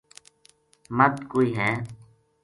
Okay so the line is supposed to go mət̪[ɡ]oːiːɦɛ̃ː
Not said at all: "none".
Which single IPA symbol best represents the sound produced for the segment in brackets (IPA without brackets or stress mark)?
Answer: k